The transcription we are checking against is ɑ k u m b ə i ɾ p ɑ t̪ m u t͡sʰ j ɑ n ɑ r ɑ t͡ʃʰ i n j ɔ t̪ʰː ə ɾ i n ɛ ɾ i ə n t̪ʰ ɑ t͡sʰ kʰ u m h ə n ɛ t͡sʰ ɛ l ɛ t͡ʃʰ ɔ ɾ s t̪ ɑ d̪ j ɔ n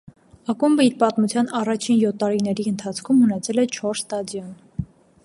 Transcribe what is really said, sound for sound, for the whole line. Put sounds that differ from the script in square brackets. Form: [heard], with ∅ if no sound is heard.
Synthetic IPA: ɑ k u m b ə i ɾ p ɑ t̪ m u t͡sʰ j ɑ n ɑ r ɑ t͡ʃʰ i n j ɔ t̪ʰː [ɑ] ɾ i n ɛ ɾ i ə n t̪ʰ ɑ t͡sʰ kʰ u m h ə n ɛ t͡sʰ ɛ l ɛ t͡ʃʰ ɔ ɾ s t̪ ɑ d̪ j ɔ n